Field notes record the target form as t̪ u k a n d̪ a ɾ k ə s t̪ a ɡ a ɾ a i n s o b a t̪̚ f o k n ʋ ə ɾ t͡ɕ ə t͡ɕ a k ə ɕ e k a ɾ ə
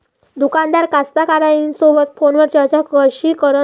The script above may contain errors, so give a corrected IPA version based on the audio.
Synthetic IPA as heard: d̪ u k a n d̪ a ɾ k a s t̪ a k a ɾ a i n s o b ə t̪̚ f o n ʋ ə ɾ t͡ɕ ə t͡ɕ a k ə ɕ i k ə ɾ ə